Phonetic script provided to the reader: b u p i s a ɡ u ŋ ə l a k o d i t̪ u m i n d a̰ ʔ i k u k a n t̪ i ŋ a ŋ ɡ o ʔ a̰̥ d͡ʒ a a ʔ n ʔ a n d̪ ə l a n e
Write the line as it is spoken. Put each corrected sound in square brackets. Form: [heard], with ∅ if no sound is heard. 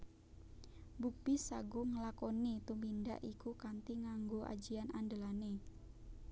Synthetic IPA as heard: b u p i s a ɡ u ŋ ə l a k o [n] i t̪ u m i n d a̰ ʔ i k u k a n t̪ i ŋ a ŋ ɡ o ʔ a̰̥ d͡ʒ [i] a [∅] n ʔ a n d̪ ə l a n e